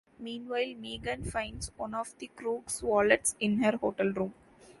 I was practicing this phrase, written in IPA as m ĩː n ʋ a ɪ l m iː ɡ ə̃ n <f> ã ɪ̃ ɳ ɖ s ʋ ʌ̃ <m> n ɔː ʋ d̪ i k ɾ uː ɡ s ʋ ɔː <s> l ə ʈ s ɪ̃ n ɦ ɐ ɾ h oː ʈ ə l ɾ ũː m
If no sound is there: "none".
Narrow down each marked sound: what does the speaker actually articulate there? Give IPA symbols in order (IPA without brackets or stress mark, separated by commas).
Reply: f, none, none